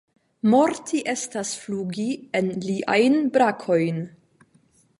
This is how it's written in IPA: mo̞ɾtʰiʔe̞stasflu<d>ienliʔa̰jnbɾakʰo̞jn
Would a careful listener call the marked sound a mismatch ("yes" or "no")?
yes